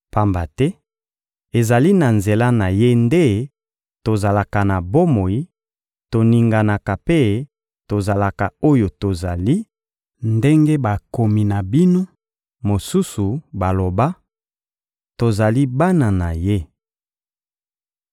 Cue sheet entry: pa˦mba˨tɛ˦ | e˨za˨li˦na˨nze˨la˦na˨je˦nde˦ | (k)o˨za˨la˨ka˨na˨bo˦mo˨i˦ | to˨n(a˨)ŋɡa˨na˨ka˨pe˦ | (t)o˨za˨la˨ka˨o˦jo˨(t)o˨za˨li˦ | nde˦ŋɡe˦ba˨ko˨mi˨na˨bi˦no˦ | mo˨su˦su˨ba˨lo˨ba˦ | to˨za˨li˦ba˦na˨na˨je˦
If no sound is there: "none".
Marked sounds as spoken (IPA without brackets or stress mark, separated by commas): t, i˨, t, t